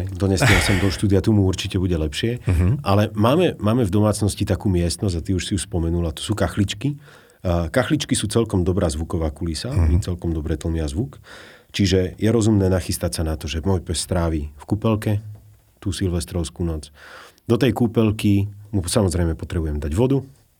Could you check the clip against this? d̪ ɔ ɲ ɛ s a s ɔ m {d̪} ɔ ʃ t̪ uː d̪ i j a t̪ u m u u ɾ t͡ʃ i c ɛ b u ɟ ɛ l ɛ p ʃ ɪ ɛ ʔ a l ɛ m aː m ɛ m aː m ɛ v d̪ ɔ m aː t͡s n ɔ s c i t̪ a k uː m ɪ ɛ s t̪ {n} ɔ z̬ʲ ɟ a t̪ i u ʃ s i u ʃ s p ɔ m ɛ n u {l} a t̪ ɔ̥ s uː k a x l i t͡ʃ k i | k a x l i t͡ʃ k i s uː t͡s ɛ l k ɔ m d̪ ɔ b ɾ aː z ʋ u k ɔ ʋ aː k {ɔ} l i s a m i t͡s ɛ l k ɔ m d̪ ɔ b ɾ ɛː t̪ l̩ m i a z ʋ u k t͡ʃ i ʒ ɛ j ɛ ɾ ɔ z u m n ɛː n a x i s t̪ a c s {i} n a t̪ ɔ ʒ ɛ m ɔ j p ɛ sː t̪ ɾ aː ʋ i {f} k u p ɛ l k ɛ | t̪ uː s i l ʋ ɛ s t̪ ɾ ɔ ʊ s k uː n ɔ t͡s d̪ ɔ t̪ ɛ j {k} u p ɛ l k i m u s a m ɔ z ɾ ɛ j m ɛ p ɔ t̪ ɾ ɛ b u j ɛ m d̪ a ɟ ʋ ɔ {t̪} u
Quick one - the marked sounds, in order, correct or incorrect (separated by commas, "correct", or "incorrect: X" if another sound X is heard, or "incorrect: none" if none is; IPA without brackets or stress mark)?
correct, correct, correct, incorrect: u, incorrect: a, correct, correct, incorrect: d̪